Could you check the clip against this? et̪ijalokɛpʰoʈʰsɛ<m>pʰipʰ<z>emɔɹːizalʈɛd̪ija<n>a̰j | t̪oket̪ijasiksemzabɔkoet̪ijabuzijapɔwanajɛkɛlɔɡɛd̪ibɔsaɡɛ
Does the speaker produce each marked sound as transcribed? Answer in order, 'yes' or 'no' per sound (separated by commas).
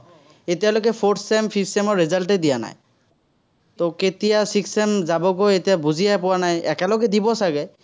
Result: yes, no, yes